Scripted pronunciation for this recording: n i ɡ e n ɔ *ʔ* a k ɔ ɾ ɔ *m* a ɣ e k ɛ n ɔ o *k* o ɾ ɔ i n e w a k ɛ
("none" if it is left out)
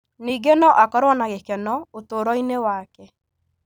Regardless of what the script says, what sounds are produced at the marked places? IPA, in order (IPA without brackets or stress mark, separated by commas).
ʔ, n, t